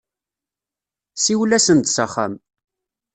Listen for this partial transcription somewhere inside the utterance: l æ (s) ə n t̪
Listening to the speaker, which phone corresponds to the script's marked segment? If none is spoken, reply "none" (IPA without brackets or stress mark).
s